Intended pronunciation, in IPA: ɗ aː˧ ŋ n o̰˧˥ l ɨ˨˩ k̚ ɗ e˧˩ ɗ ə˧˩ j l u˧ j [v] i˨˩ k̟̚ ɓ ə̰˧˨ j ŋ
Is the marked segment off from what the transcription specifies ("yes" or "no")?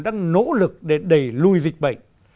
yes